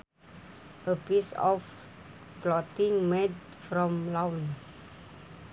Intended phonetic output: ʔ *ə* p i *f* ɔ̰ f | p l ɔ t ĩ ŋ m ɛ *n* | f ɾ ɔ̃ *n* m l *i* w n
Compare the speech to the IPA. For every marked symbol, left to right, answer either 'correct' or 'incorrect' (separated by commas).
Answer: correct, incorrect, incorrect, incorrect, incorrect